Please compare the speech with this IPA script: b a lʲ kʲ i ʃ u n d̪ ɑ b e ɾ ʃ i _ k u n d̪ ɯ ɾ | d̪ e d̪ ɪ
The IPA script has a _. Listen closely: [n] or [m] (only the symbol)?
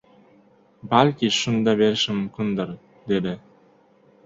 m